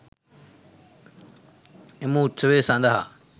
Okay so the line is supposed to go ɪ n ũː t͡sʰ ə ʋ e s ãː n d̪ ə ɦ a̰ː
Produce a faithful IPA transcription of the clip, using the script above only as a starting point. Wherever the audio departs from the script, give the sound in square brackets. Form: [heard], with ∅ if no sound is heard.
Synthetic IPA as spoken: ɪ [m] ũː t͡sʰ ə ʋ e s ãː n d̪ [a] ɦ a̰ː

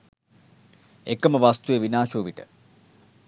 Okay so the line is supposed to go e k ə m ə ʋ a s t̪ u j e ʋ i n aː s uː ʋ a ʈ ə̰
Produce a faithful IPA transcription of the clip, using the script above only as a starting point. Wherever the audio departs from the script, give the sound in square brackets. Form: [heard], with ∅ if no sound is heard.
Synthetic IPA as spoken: e k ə m ə ʋ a s t̪ u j e ʋ i n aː [ʃ] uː ʋ [i] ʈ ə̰

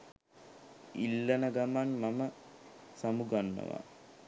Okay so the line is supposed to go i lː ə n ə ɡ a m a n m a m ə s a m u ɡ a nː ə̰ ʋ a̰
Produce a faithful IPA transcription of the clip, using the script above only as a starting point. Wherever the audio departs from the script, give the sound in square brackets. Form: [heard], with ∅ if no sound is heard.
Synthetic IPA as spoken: i lː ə n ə ɡ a m a n m a m ə s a m u ɡ a nː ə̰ ʋ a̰

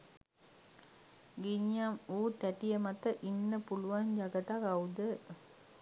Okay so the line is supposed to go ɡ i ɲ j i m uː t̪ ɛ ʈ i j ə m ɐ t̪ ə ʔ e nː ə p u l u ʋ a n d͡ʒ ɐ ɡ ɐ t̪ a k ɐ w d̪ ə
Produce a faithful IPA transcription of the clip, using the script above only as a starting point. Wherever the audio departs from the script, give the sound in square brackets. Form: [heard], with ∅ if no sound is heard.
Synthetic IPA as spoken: ɡ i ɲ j [a] m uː t̪ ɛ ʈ i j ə m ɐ t̪ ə ʔ [i] nː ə p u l u ʋ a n d͡ʒ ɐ ɡ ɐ t̪ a k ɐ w d̪ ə

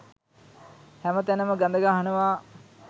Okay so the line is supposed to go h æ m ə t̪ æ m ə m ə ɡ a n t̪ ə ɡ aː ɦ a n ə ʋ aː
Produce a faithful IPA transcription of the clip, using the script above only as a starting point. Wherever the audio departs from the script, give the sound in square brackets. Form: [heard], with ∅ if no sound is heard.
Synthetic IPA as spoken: h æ m ə t̪ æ [n] ə m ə ɡ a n [d̪] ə ɡ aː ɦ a n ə ʋ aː

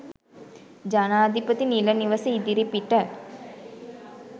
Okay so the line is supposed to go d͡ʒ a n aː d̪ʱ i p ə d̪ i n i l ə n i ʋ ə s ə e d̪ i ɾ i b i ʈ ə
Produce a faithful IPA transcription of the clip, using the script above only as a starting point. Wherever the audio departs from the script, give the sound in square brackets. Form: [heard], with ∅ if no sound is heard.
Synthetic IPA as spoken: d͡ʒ a n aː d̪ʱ i p ə [t̪] i n i l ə n i ʋ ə s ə [i] d̪ i ɾ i [p] i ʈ ə

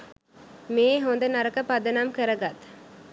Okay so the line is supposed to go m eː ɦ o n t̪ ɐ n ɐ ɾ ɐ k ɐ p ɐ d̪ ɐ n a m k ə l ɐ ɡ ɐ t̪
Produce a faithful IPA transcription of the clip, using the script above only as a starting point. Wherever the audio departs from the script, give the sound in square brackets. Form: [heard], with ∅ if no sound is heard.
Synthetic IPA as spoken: m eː ɦ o n [d̪] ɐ n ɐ ɾ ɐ k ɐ p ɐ d̪ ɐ n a m k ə [ɾ] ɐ ɡ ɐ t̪

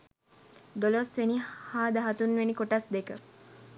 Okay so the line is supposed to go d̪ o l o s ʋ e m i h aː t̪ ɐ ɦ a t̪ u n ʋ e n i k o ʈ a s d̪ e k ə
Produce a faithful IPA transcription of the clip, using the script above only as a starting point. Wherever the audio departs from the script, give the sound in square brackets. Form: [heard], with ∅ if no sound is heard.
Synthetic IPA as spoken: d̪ o l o s ʋ e [n] i h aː [d̪] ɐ ɦ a t̪ u n ʋ e n i k o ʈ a s d̪ e k ə

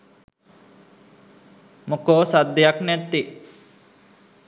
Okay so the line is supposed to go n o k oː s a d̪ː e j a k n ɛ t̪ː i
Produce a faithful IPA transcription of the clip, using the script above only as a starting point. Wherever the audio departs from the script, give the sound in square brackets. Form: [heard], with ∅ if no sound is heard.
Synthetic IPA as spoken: [m] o k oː s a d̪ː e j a k n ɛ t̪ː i

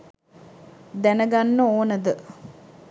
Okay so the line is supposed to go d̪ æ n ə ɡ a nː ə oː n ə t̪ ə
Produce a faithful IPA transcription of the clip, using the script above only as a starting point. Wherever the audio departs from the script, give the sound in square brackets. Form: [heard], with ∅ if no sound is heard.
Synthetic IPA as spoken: d̪ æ n ə ɡ a nː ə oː n ə [d̪] ə

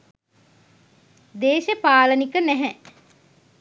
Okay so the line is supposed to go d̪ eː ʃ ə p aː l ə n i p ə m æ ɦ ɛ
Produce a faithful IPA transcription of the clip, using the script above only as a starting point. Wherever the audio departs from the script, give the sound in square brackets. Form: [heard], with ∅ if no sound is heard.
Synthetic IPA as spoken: d̪ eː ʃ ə p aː l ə n i [k] ə [n] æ ɦ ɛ

